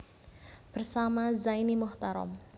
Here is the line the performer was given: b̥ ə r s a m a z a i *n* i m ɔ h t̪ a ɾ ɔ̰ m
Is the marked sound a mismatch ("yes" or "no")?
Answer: no